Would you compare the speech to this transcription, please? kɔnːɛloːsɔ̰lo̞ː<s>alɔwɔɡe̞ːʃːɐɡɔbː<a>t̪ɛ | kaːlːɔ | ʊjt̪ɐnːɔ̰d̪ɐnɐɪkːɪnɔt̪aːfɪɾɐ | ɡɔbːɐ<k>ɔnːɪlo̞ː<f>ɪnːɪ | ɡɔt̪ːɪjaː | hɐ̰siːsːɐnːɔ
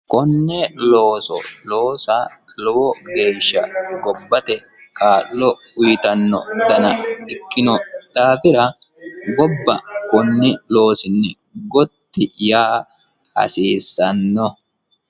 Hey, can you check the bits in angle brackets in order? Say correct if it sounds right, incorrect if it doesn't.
correct, incorrect: ɐ, correct, incorrect: s

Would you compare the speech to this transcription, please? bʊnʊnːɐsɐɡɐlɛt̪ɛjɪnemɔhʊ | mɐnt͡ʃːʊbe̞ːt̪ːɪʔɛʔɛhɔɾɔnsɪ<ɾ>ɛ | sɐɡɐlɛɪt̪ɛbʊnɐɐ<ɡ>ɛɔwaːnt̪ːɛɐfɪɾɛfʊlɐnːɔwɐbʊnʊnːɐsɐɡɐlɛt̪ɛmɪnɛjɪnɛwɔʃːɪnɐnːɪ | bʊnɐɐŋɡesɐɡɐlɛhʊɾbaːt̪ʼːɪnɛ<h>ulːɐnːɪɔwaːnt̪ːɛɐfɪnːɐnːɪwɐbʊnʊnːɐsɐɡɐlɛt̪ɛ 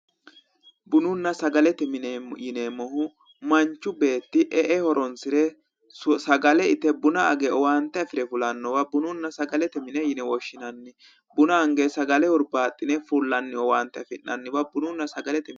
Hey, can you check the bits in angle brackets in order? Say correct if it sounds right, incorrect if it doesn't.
correct, correct, incorrect: f

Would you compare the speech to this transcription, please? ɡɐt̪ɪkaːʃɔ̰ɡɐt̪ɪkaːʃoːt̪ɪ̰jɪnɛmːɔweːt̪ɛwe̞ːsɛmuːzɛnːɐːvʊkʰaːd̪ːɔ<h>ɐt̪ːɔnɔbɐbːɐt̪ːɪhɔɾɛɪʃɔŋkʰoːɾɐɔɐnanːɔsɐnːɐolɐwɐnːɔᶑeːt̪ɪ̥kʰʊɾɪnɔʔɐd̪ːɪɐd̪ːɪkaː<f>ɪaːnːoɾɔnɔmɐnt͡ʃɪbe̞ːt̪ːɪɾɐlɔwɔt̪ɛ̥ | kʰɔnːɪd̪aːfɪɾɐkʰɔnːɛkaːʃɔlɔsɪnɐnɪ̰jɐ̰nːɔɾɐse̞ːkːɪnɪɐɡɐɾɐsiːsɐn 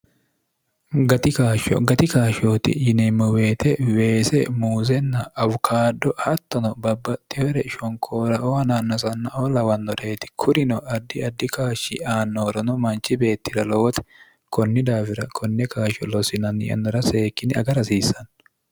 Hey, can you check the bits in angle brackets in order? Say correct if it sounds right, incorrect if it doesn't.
correct, incorrect: ʃ

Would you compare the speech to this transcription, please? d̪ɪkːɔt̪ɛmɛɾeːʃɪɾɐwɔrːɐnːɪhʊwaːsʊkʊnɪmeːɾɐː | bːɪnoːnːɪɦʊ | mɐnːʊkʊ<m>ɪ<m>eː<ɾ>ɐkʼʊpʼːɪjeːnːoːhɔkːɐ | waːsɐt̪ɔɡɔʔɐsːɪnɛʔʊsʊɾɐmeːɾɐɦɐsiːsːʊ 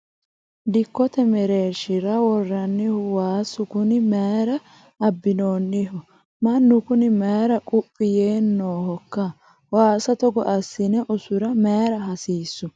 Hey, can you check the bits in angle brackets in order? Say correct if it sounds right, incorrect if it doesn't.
incorrect: n, correct, correct

